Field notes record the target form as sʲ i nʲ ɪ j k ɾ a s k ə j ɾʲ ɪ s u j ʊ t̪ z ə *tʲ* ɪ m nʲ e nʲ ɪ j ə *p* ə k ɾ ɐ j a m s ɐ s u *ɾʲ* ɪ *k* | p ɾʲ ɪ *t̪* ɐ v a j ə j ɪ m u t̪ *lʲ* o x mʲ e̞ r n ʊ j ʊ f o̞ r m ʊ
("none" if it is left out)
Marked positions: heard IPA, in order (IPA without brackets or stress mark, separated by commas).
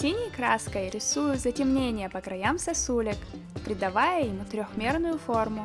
tʲ, p, lʲ, k, d̪, ɾʲ